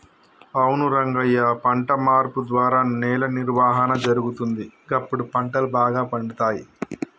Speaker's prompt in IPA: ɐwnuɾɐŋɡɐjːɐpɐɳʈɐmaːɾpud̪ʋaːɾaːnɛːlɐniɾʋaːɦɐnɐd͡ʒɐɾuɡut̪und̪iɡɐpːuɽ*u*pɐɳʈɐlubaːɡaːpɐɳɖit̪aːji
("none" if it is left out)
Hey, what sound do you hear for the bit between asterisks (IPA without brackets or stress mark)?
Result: u